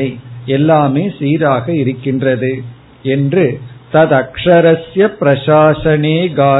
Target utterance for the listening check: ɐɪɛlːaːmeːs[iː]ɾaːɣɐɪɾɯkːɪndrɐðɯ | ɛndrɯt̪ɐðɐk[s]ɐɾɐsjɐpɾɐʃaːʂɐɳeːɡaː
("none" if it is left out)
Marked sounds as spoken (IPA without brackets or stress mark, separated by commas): iː, ʂ